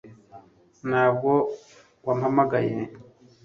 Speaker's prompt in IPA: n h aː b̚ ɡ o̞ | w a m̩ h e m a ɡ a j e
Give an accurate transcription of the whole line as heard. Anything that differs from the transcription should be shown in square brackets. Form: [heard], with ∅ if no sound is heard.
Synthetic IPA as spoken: n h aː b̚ ɡ o̞ | w a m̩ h [a] m a ɡ a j e